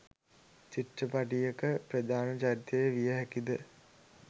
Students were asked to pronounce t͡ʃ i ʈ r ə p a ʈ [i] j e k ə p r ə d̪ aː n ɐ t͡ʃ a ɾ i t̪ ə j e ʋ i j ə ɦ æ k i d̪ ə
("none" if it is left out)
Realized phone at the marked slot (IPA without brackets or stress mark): i